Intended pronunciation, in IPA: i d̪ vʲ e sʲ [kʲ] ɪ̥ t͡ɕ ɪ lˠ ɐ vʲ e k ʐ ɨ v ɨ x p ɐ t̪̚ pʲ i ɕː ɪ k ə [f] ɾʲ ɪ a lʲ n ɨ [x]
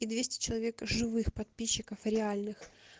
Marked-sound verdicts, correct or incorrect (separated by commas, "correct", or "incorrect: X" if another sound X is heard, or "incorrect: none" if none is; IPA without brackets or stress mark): incorrect: tʲ, correct, correct